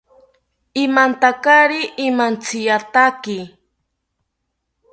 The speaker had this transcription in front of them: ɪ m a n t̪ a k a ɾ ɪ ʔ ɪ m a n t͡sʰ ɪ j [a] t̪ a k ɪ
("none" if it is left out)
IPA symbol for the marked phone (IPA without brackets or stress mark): a